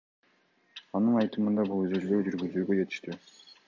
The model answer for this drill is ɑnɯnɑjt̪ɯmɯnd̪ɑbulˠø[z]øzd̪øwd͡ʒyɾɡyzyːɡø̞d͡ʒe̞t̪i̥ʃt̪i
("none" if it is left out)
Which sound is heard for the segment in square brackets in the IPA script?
z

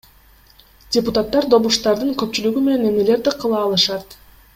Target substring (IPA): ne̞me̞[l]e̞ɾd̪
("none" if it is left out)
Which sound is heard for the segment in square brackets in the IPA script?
l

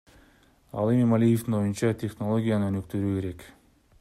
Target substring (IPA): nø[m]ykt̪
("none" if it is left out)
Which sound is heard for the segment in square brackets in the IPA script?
n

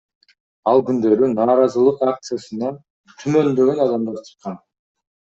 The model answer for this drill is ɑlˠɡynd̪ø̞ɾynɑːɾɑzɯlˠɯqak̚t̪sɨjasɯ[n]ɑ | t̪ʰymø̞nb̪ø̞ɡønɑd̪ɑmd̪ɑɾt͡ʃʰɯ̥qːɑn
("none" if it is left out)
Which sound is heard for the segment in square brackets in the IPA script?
n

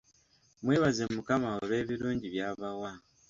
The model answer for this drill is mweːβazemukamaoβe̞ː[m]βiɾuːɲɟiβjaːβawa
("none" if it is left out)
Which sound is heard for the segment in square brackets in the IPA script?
none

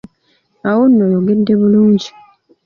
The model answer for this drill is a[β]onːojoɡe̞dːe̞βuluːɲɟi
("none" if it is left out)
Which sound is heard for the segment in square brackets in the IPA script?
w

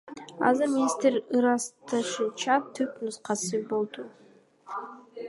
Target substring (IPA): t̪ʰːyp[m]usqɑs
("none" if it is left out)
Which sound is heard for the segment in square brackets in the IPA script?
n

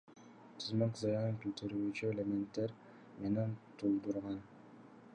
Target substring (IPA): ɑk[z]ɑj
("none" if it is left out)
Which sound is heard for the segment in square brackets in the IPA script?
z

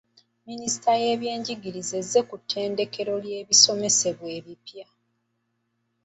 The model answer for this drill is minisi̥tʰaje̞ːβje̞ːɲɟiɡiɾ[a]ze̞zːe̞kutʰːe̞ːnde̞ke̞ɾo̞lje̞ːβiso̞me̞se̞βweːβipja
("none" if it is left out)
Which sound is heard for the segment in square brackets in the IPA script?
i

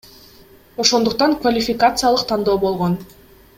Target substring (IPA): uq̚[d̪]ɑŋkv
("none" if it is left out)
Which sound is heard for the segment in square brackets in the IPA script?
t̪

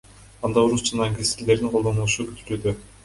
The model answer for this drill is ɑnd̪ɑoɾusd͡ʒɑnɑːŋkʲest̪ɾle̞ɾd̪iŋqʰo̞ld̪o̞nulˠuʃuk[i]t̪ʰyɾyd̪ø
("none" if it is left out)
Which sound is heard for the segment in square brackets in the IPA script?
y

